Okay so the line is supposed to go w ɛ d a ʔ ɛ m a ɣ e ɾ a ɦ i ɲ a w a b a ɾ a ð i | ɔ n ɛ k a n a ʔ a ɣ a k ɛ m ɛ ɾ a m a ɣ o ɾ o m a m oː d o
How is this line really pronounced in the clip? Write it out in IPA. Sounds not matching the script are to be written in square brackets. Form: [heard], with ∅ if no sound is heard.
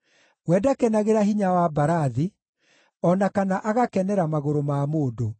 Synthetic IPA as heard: w ɛ d a [k] ɛ [n] a ɣ e ɾ a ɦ i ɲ a w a b a ɾ a ð i | ɔ n [a] k a n a ʔ a ɣ a k ɛ [n] ɛ ɾ a m a ɣ o ɾ o m a m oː d o